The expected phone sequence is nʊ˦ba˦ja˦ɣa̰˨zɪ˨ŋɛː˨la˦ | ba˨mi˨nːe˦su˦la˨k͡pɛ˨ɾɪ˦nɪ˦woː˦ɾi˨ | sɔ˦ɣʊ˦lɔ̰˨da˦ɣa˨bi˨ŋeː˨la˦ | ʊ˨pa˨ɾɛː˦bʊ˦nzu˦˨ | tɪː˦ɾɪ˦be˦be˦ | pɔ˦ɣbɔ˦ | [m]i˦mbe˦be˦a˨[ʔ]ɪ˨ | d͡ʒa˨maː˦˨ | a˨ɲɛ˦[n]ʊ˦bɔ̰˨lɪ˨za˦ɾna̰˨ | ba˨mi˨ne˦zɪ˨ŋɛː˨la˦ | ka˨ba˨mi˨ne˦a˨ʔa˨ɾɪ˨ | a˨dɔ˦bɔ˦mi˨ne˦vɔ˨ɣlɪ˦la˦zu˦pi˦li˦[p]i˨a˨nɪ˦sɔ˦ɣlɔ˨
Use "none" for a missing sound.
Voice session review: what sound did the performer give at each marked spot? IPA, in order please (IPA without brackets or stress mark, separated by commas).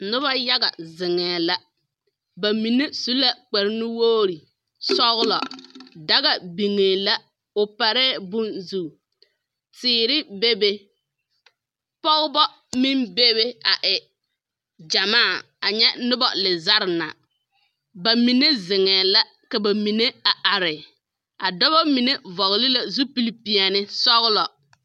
m, ʔ, n, p